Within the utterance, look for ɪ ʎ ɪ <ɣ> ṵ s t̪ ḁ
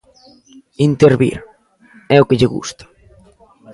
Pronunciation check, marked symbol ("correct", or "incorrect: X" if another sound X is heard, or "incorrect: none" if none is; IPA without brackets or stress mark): correct